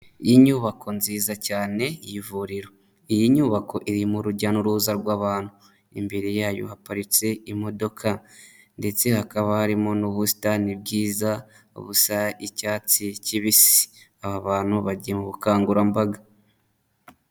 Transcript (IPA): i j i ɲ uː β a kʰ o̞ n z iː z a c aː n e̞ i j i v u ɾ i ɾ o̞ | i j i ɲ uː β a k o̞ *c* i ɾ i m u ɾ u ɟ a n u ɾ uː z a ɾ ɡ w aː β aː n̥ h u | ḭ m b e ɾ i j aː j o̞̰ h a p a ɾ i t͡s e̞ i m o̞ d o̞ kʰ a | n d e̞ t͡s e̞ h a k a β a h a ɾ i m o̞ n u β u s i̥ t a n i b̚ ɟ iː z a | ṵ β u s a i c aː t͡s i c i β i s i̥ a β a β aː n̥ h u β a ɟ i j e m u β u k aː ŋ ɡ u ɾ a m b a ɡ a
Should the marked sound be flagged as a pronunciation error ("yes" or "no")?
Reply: yes